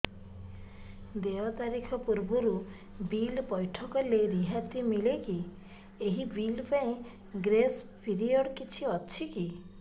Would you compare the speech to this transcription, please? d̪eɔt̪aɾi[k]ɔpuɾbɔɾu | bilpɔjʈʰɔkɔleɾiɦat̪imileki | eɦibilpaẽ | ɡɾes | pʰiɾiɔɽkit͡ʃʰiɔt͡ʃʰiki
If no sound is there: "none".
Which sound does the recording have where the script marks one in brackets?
kʰ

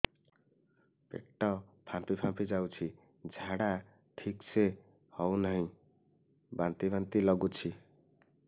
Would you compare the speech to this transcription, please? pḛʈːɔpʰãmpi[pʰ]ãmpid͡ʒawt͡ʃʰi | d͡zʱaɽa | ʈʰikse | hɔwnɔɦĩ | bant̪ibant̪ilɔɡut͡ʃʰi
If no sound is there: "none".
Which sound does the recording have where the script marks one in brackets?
pʰ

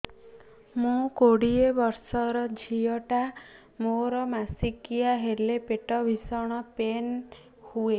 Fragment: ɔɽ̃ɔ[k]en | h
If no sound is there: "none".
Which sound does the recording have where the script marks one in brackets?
p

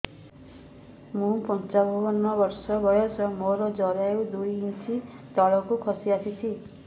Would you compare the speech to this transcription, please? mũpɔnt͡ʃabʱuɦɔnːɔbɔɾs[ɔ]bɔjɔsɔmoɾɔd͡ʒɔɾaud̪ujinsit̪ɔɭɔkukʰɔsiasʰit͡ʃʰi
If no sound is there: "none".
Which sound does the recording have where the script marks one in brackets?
ɔ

